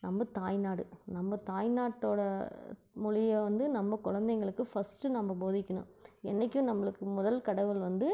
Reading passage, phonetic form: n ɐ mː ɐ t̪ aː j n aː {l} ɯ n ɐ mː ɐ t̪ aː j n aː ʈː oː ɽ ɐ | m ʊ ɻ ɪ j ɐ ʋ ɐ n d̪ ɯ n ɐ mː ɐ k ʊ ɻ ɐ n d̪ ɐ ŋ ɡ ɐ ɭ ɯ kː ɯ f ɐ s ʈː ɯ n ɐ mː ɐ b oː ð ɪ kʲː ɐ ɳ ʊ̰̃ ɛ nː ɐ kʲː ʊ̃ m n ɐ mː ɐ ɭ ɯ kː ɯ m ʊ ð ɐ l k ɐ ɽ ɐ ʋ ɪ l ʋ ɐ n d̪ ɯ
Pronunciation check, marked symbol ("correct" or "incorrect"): incorrect